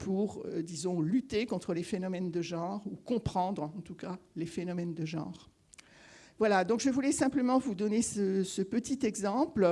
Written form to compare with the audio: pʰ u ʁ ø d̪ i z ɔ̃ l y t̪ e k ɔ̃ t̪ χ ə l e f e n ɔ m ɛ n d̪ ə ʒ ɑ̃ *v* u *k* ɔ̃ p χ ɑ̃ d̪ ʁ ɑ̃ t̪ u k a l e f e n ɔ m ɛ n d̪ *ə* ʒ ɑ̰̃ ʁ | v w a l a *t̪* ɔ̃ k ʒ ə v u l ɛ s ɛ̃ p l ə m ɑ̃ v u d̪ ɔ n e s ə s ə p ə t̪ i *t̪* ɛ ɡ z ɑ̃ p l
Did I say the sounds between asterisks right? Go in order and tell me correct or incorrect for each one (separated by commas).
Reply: incorrect, correct, correct, incorrect, correct